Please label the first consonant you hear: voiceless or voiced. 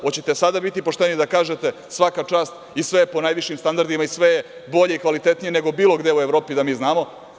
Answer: voiceless